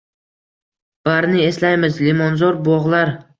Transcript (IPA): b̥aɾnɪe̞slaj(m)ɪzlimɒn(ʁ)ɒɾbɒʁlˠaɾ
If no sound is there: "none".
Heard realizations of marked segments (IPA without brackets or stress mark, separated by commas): m, z